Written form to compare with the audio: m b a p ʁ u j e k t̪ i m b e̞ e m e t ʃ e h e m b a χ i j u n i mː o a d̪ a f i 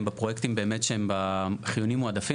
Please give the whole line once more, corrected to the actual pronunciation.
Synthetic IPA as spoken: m b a p ʁ o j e k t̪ i m b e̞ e m e t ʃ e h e m b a χ i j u n i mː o a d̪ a f i